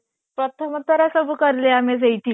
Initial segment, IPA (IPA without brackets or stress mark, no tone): p